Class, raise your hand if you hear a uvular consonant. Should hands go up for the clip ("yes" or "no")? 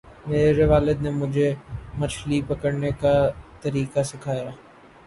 no